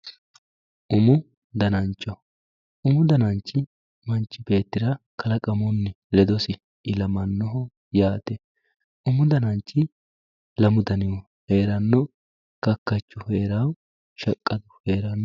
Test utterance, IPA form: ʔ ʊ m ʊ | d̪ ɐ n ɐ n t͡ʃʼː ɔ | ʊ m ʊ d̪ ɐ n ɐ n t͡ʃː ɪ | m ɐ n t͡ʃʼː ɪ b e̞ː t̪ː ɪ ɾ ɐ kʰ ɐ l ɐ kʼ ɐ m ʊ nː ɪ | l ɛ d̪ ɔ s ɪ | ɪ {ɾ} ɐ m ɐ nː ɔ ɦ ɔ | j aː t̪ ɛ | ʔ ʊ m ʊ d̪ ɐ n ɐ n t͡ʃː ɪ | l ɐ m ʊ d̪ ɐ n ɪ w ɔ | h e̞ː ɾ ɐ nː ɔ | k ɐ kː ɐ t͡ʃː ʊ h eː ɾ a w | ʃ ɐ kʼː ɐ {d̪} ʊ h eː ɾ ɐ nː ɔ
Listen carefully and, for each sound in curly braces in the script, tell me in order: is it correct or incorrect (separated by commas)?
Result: incorrect, correct